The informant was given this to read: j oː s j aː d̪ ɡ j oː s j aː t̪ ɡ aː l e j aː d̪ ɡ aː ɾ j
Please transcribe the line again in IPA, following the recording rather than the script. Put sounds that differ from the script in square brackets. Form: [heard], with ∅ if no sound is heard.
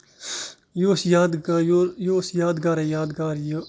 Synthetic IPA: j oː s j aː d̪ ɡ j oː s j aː [d̪] ɡ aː [ɾ] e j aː d̪ ɡ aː ɾ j